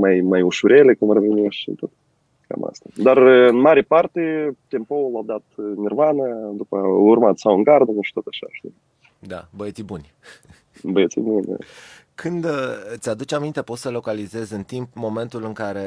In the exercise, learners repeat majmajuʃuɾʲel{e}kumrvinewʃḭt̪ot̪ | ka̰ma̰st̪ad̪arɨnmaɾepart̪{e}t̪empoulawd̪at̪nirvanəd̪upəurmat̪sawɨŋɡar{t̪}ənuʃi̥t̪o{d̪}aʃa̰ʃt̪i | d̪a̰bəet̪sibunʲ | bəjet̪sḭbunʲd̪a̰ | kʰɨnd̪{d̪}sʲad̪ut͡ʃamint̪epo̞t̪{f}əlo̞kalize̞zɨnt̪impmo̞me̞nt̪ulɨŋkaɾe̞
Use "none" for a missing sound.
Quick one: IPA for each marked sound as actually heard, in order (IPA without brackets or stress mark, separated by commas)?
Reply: e, e, d̪, t̪, t̪, s